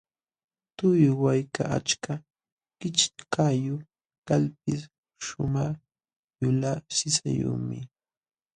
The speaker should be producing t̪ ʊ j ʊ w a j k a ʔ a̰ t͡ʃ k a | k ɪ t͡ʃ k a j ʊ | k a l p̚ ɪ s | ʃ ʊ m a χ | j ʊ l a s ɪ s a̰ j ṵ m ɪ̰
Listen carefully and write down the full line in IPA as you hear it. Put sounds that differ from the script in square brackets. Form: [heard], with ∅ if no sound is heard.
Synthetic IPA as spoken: t̪ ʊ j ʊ w a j k a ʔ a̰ t͡ʃ k a | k ɪ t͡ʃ k a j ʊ | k a l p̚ ɪ s | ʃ ʊ m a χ | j ʊ l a s ɪ s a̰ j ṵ m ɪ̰